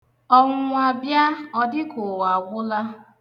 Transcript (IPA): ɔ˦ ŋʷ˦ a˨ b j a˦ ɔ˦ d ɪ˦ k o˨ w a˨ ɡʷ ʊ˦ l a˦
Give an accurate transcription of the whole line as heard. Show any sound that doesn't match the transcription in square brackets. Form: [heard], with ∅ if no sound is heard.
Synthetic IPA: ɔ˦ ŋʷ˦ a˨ b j a˦ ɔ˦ d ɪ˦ k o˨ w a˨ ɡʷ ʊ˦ l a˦